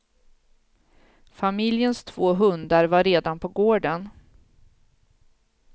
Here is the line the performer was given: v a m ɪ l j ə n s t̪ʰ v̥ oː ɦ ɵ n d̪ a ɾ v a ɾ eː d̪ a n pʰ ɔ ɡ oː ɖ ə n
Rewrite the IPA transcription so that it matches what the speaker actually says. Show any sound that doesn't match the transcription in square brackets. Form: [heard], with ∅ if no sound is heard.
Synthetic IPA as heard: [f] a m ɪ l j ə n s t̪ʰ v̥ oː ɦ ɵ n d̪ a ɾ v a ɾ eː d̪ a n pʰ ɔ ɡ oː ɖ ə n